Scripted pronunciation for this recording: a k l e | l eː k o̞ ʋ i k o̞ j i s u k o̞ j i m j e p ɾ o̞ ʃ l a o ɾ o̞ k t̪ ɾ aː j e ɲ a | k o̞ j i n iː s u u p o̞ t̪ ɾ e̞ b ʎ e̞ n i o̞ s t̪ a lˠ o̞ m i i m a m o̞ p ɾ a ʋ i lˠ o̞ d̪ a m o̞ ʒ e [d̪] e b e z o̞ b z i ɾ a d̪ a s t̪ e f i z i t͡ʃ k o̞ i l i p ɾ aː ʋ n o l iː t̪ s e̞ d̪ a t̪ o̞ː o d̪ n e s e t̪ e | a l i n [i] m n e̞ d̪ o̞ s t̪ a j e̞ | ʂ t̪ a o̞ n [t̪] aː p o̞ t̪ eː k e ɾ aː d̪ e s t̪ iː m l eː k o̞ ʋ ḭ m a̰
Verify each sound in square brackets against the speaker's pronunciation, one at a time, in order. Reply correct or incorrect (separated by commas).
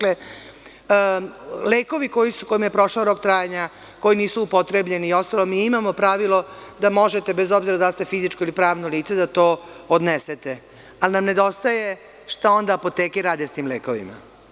incorrect, incorrect, incorrect